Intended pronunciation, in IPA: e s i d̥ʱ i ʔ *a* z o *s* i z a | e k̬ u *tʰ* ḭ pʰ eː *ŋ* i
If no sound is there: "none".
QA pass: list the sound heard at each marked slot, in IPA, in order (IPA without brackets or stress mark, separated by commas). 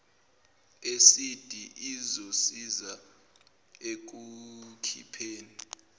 i, s, kʰ, n